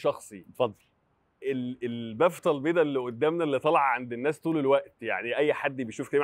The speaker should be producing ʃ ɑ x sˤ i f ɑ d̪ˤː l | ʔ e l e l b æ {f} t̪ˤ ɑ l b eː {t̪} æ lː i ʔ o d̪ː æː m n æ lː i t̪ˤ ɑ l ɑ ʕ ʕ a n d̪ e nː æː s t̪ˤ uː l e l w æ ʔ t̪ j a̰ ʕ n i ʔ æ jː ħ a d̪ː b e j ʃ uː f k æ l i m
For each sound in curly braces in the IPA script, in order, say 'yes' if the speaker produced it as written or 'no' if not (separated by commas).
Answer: yes, no